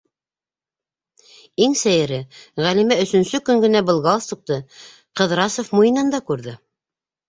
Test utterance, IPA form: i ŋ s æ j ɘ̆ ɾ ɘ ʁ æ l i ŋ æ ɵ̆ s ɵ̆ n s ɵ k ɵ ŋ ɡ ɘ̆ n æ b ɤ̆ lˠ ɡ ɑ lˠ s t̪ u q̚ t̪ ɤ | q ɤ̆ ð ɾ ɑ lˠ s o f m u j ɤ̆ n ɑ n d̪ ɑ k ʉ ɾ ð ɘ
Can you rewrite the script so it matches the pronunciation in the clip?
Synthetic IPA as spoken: i ŋ s æ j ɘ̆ ɾ ɘ ʁ æ l i m æ ɵ̆ s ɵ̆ n s ɵ k ɵ ŋ ɡ ɘ̆ n æ b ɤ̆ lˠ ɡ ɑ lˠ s t̪ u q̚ t̪ ɤ | q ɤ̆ ð ɾ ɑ s o f m u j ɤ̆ n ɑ n d̪ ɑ k ʉ ɾ ð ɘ